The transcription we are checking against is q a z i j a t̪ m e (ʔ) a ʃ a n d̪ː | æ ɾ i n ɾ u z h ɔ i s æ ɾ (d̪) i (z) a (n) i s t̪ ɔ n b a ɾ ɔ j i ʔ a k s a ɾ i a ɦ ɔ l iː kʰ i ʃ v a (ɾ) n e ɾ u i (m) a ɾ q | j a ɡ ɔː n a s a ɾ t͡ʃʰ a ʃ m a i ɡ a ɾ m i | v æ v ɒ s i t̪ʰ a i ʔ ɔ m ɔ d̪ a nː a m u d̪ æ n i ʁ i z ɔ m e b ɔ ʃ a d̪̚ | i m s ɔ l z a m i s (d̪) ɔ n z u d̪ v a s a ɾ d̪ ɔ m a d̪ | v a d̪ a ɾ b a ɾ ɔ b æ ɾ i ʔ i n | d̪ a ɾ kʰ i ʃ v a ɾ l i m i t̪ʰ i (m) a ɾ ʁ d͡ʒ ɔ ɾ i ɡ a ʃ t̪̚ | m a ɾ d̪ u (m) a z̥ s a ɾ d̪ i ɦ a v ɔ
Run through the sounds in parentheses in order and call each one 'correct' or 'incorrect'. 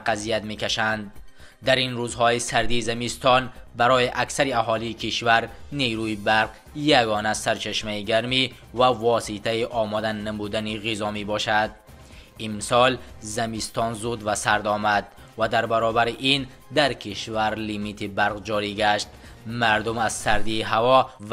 incorrect: k, correct, correct, incorrect: m, correct, incorrect: b, incorrect: t̪, incorrect: b, correct

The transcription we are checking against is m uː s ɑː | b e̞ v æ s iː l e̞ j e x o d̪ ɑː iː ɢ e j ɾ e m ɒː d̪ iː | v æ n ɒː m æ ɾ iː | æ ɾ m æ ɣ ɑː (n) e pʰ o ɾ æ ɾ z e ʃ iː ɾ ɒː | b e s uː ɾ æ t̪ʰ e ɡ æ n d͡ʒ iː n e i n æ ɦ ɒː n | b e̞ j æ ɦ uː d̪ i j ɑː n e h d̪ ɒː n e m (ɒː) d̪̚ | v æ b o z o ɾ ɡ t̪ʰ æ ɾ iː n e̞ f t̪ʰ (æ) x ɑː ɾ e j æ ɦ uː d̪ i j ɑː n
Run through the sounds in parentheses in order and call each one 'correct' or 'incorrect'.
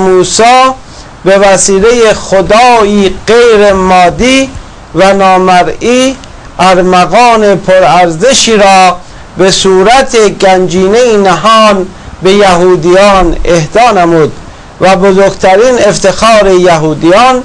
correct, incorrect: uː, incorrect: e

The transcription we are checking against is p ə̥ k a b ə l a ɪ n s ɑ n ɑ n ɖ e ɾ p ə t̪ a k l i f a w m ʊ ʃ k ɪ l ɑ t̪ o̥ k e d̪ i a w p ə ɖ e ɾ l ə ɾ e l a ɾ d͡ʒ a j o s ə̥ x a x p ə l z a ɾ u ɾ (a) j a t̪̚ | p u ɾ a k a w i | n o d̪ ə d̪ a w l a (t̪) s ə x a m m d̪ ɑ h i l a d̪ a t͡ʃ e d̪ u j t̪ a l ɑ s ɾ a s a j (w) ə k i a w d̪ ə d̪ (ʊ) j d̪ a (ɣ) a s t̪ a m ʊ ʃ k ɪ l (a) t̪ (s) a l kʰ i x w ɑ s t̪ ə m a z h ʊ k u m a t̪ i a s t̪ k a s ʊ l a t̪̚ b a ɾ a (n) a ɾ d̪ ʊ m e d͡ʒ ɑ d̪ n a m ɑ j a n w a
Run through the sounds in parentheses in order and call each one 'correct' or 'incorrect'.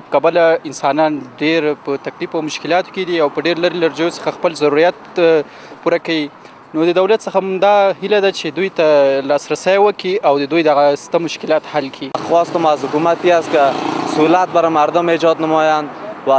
incorrect: i, correct, correct, incorrect: u, correct, incorrect: ɑ, incorrect: h, incorrect: m

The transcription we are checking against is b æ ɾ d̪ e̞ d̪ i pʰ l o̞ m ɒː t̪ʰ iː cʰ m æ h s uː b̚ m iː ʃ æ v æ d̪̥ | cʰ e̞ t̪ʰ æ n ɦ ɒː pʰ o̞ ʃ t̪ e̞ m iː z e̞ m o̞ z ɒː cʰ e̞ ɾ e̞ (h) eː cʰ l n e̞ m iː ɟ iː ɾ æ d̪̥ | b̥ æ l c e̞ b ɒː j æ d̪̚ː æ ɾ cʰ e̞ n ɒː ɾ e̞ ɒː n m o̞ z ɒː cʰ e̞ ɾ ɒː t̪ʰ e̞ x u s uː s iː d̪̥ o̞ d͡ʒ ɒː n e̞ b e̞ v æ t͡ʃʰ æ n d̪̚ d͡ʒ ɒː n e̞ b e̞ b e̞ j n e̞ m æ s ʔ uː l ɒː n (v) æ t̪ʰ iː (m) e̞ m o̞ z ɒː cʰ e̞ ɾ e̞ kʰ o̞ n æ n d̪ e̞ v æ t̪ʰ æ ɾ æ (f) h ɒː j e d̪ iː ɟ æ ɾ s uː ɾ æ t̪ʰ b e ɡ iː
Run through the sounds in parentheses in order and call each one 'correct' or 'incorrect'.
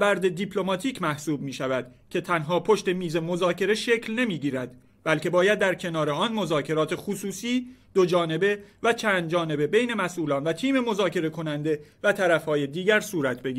incorrect: ʃ, correct, correct, correct

